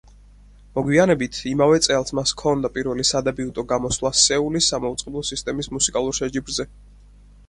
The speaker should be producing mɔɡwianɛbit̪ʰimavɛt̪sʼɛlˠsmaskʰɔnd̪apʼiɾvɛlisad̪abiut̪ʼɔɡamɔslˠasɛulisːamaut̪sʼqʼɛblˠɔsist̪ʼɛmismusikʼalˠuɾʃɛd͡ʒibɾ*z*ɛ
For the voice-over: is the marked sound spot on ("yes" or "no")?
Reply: yes